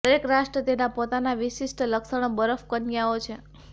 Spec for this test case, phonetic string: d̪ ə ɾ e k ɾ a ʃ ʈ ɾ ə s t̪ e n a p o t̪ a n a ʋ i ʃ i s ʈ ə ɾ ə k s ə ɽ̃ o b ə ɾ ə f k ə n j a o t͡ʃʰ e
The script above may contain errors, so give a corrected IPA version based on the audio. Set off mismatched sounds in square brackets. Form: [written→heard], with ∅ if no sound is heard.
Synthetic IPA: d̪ ə ɾ e k ɾ a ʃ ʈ ɾ ə [s→∅] t̪ e n a p o t̪ a n a ʋ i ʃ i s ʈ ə [ɾ→l] ə k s ə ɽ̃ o b ə ɾ ə f k ə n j a o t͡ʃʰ e